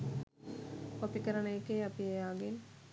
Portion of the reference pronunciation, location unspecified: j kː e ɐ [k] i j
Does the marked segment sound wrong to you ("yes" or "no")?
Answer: yes